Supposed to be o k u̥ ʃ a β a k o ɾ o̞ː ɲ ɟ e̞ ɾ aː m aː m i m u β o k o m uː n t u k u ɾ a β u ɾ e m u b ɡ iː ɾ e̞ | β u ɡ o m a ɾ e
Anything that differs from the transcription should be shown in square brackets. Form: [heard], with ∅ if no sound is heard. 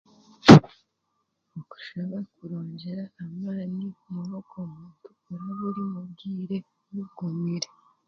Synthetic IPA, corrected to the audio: o k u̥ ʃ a β a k [u] ɾ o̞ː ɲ ɟ e̞ ɾ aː m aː [n] i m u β o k o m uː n t u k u ɾ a β u ɾ [i] m u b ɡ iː ɾ e̞ | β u ɡ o m [i] ɾ e

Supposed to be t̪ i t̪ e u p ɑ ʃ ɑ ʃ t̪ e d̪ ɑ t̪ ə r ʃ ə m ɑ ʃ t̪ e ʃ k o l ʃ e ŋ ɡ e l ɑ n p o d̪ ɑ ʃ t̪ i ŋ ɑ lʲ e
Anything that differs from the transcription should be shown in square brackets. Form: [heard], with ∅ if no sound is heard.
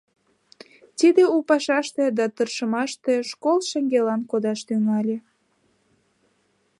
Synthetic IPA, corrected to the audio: t̪ i [d̪] e u p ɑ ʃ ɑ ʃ t̪ e d̪ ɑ t̪ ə r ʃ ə m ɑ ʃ t̪ e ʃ k o l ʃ e ŋ ɡ e l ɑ n [k] o d̪ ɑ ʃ t̪ [y] ŋ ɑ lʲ e

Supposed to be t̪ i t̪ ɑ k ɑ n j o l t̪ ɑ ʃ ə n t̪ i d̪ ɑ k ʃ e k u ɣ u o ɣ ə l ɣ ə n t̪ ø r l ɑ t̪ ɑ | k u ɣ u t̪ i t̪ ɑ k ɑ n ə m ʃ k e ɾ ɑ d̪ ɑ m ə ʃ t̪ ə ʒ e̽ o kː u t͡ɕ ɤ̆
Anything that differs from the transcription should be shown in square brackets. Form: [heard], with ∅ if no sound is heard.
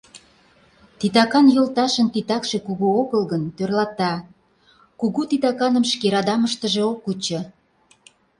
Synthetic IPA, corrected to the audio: t̪ i t̪ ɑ k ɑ n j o l t̪ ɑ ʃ ə n t̪ i [t̪] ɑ k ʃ e k u ɣ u o ɣ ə l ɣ ə n t̪ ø r l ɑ t̪ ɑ | k u ɣ u t̪ i t̪ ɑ k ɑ n ə m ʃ k e ɾ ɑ d̪ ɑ m ə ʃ t̪ ə ʒ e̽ o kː u t͡ɕ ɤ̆

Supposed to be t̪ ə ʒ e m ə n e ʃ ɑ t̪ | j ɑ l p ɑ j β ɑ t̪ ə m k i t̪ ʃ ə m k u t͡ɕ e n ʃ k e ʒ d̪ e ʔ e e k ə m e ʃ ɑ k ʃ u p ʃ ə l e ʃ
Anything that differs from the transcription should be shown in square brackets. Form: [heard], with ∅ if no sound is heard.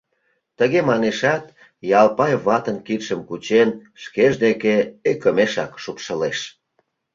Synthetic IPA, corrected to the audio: t̪ ə [ɣ] e m [ɑ] n e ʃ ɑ t̪ | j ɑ l p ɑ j β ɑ t̪ ə [n] k i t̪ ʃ ə m k u t͡ɕ e n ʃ k e ʒ d̪ e [k] e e k ə m e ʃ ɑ k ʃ u p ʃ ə l e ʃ

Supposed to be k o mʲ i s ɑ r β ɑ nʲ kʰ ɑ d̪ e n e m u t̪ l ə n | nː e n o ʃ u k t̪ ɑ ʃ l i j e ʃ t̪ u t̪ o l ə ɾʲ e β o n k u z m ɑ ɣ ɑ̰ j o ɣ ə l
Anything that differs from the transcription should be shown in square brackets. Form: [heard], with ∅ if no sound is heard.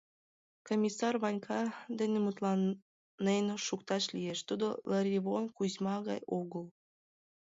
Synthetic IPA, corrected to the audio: k o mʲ i s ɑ r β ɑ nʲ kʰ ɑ d̪ e n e m u t̪ l [ɑ] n | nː e n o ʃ u k t̪ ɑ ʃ l i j e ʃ t̪ u [d̪] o l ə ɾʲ [i] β o n k u z m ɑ ɣ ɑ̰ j o ɣ ə l

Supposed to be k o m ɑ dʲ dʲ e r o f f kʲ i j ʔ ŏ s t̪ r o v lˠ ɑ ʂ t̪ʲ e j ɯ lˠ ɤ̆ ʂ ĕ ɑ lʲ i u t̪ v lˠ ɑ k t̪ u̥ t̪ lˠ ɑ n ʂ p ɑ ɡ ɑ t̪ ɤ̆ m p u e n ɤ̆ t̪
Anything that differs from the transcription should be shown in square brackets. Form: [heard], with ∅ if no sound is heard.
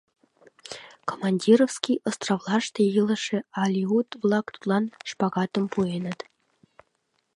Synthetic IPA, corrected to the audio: k o m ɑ [nʲ] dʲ [i] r o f [s] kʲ i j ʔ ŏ s t̪ r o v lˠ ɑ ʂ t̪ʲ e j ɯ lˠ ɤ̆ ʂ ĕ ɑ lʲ i u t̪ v lˠ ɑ k t̪ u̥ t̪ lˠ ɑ n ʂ p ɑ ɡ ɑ t̪ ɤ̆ m p u e n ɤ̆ t̪

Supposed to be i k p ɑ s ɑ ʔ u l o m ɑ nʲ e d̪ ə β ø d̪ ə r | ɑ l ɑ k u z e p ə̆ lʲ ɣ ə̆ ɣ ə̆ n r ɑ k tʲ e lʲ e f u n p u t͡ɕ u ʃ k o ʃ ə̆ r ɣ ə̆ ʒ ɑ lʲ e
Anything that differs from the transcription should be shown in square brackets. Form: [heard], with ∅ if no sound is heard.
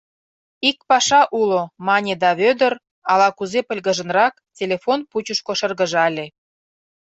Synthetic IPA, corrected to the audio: i k p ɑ [ʃ] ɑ ʔ u l o m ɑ nʲ e d̪ [ɑ] β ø d̪ ə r | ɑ l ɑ k u z e p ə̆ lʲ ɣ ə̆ [ʒ] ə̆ n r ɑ k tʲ e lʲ e f [o] n p u t͡ɕ u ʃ k o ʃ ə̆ r ɣ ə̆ ʒ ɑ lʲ e

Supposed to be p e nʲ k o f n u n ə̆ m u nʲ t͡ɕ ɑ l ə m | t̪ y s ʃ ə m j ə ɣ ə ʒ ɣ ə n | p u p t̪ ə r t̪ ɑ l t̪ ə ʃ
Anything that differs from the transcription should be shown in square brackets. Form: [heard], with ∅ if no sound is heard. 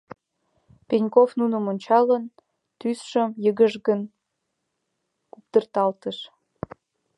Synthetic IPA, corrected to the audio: p e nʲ k o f n u n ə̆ m [o] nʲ t͡ɕ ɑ l ə [n] | t̪ y s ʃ ə m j ə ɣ ə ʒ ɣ ə n | [k] u p t̪ ə r t̪ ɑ l t̪ ə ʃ

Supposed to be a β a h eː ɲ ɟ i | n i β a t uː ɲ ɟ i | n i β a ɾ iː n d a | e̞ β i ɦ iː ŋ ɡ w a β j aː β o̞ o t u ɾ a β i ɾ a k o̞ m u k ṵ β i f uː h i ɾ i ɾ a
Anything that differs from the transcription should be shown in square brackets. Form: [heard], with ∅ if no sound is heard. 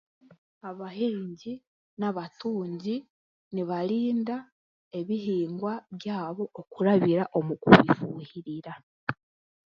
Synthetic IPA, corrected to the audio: a β a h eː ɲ ɟ i | n [a] β a t uː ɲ ɟ i | n i β a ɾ iː n d a | e̞ β i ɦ iː ŋ ɡ w a β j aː β o̞ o [k] u ɾ a β i ɾ a [ʔ] o̞ m u k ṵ β i f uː h i ɾ i ɾ a

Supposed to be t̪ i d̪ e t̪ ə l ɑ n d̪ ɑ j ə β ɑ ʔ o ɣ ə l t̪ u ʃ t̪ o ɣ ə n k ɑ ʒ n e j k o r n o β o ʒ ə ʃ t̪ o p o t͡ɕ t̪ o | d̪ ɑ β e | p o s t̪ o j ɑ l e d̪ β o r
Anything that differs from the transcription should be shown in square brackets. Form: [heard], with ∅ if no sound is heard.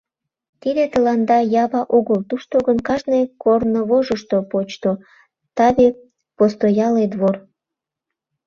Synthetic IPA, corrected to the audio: t̪ i d̪ e t̪ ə l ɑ n d̪ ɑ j [ɑ] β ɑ ʔ o ɣ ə l t̪ u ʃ t̪ o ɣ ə n k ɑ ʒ n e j k o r n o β o ʒ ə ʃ t̪ o p o t͡ɕ t̪ o | [t̪] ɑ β e | p o s t̪ o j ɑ l e d̪ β o r

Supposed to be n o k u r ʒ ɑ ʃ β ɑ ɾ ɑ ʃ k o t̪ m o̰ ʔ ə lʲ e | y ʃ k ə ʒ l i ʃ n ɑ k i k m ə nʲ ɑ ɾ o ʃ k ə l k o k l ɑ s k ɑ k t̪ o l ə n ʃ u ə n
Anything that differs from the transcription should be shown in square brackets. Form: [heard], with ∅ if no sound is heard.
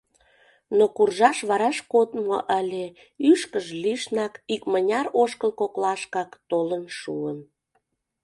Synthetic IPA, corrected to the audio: n o k u r ʒ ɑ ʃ β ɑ ɾ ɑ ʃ k o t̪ m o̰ ʔ ə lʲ e | y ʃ k ə ʒ l i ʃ n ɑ k i k m ə nʲ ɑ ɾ o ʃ k ə l k o k l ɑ [ʃ] k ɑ k t̪ o l ə n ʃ u ə n

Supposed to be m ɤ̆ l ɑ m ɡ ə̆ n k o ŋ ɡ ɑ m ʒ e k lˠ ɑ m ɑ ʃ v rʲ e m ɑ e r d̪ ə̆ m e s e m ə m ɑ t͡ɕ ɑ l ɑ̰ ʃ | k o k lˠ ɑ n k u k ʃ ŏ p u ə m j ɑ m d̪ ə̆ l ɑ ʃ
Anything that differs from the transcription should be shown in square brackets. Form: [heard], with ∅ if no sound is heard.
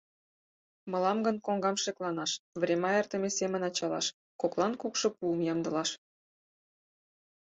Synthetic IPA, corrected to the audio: m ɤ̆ l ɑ m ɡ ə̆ n k o ŋ ɡ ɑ m [ʃ] e k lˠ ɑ [n] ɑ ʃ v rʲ e m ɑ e r [t̪] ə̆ m e s e m ə [n] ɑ t͡ɕ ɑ l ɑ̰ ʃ | k o k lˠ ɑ n k u k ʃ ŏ p u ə m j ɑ m d̪ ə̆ l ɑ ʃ

